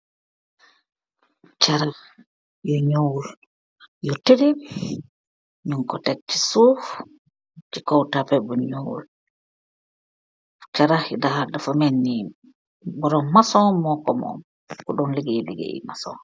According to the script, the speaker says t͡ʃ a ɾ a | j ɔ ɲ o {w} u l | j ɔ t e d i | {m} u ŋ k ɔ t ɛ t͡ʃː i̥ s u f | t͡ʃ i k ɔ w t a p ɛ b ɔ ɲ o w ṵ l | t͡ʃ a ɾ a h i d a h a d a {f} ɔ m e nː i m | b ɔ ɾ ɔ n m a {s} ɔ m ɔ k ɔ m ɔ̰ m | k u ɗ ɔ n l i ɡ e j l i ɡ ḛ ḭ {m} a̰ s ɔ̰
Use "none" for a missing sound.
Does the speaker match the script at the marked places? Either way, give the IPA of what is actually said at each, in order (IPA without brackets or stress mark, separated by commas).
w, ɲ, f, s, m